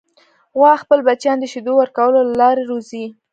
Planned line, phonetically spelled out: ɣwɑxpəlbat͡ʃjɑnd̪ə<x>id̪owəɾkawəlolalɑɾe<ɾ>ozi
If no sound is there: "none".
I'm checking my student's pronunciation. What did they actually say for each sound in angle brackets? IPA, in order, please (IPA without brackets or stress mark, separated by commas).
ʃ, ɾ